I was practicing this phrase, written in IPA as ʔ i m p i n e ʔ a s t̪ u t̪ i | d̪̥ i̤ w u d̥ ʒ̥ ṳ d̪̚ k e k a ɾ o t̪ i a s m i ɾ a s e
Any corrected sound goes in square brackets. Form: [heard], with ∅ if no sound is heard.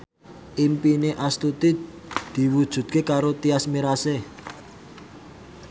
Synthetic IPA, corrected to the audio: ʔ i m p i n e ʔ a s t̪ u t̪ i | d̪̥ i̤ w u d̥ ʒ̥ ṳ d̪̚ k e k a ɾ o t̪ i a s m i ɾ a s e